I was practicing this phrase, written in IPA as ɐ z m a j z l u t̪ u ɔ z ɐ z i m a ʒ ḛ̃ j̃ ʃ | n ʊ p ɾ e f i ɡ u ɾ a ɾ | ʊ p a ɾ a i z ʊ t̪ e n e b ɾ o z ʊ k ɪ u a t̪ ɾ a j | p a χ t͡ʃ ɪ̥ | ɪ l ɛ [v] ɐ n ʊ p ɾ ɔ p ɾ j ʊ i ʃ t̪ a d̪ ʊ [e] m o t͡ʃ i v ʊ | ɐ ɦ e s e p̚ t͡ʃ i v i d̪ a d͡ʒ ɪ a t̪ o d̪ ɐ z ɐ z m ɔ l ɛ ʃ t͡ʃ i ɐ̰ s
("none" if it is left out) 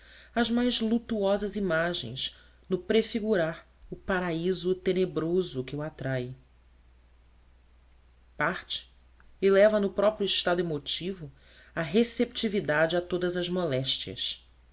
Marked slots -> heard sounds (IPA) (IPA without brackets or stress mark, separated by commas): v, e